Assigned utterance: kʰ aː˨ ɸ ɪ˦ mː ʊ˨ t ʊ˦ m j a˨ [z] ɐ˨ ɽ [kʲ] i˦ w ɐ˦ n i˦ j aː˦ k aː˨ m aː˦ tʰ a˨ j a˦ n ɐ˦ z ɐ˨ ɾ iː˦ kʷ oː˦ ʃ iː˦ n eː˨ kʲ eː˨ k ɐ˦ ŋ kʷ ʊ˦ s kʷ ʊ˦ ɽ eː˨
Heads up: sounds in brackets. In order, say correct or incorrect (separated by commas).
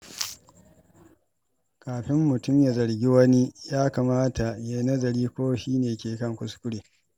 correct, incorrect